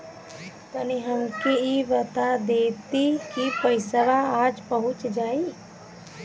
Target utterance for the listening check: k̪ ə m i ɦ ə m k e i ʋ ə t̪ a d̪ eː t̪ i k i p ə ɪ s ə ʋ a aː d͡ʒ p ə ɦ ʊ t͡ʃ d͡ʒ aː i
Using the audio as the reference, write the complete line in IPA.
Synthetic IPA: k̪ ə n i ɦ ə m k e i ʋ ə t̪ a d̪ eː t̪ i k i p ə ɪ s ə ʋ a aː d͡ʒ p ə ɦ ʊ t͡ʃ d͡ʒ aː i